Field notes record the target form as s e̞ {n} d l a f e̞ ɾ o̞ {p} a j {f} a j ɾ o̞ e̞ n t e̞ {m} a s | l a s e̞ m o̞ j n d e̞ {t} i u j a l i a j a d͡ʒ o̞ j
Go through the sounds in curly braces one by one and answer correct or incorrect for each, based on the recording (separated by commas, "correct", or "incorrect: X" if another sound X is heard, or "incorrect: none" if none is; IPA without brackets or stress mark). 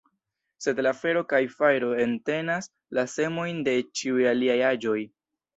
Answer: incorrect: none, incorrect: k, correct, incorrect: n, incorrect: t͡ʃ